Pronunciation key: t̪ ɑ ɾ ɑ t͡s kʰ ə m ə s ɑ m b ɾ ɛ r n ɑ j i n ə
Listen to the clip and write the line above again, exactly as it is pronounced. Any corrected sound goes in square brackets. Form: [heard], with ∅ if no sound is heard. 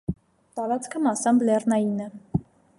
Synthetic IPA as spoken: t̪ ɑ ɾ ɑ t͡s kʰ ə m [ɑ] s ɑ m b [l] ɛ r n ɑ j i n ə

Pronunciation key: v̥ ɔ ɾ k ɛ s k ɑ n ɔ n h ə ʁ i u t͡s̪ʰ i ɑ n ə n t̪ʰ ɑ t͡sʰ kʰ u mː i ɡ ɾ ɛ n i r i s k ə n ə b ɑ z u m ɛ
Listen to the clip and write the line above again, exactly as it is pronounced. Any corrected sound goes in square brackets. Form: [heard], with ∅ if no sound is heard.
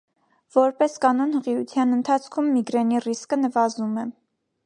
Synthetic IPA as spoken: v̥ ɔ ɾ [p] ɛ s k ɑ n ɔ n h ə ʁ i u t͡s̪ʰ [j] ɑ n ə n t̪ʰ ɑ t͡sʰ kʰ u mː i ɡ ɾ ɛ n i r i s k ə n ə [v] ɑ z u m ɛ

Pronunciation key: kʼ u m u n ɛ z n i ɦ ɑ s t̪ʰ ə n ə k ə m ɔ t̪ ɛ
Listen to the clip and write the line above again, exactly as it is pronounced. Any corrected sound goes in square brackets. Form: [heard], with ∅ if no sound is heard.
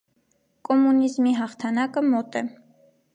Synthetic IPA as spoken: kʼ [ɔ] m u n [i] z [m] i ɦ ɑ [χ] t̪ʰ [ɑ] n [ɑ] k ə m ɔ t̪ ɛ

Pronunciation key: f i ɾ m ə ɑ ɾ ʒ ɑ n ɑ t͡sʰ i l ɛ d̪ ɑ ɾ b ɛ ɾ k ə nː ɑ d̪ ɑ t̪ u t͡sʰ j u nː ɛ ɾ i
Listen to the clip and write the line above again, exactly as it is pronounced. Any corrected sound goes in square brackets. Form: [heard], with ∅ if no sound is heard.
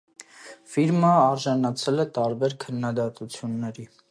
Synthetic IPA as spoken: f i ɾ m ə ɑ ɾ ʒ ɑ n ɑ t͡sʰ [ɛ] l ɛ [t̪] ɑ ɾ b ɛ ɾ [kʰ] ə nː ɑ d̪ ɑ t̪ u t͡sʰ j u nː ɛ ɾ i

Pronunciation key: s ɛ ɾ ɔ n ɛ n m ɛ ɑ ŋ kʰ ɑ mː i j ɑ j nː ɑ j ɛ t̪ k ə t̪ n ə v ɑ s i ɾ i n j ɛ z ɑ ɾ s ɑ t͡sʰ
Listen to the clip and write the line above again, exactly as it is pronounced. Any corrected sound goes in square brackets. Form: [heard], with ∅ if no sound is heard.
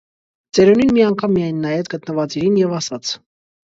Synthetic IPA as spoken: [t͡s] ɛ ɾ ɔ n [i] n m [i] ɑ ŋ kʰ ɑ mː i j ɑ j nː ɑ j ɛ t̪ [ɡ] ə t̪ n ə v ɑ [t͡s] i ɾ i n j ɛ [v] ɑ [∅] s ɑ t͡sʰ

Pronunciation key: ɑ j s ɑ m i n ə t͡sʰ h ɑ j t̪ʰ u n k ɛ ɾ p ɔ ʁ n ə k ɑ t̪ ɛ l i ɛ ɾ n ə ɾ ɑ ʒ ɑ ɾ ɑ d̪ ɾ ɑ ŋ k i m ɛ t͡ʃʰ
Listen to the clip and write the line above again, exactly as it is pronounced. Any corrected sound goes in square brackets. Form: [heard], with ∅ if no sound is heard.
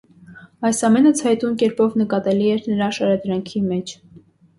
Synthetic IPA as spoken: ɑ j s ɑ m [ɛ] n ə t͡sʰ h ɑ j [t̪] u n k ɛ ɾ p ɔ [v] n ə k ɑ t̪ ɛ l i ɛ ɾ n ə ɾ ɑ [ʃ] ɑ ɾ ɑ d̪ ɾ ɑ ŋ [kʰ] i m ɛ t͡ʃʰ

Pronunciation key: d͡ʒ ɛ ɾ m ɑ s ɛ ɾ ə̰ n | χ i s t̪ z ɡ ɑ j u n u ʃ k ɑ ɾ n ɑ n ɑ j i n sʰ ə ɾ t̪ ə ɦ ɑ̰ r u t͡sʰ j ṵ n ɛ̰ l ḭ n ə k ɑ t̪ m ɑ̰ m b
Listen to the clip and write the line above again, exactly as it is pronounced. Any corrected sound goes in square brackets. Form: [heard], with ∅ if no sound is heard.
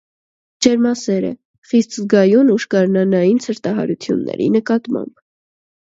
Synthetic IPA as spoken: d͡ʒ ɛ ɾ m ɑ s ɛ ɾ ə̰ [∅] | χ i s t̪ z ɡ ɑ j u n u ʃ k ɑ ɾ n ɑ n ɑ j i n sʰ ə ɾ t̪ [ɑ] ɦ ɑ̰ [ɾ] u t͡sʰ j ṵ [nː] ɛ̰ [ɾ] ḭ n ə k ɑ t̪ m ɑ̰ m b

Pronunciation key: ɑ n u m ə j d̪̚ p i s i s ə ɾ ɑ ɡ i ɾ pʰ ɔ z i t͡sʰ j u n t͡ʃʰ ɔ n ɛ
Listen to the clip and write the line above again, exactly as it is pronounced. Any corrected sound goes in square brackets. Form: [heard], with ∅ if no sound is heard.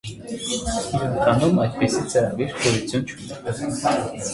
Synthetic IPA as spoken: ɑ n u m [ɑ] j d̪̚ p i s i [t͡s] ə ɾ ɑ ɡ i ɾ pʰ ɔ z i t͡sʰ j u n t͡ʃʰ [u] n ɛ

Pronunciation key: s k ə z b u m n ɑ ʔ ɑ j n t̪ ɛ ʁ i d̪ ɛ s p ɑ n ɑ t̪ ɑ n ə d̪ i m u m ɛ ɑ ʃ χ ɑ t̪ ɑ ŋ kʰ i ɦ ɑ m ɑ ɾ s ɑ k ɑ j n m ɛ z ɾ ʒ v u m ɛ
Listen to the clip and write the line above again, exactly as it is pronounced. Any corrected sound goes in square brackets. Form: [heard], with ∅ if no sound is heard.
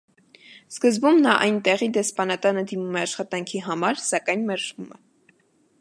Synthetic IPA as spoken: s k ə z b u m n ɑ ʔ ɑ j n t̪ ɛ ʁ i d̪ ɛ s p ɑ n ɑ t̪ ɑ n ə d̪ i m u m ɛ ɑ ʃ χ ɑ t̪ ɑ ŋ kʰ i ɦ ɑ m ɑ ɾ s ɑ k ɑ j n m ɛ [∅] ɾ ʒ v u m ɛ

